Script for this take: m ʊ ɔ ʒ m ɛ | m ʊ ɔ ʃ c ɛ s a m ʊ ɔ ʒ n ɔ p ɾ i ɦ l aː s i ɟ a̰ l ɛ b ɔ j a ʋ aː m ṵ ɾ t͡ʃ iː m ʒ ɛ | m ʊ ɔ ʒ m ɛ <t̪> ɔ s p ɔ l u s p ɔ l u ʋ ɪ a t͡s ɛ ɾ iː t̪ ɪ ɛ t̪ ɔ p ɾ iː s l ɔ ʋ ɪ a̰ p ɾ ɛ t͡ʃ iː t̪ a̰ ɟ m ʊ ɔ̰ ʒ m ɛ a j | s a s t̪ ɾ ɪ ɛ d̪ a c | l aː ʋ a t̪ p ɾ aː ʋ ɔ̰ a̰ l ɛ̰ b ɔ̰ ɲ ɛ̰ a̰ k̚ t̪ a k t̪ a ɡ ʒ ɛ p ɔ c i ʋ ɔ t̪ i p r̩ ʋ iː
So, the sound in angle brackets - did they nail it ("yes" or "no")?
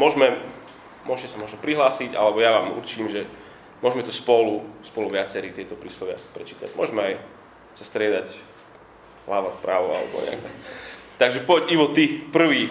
yes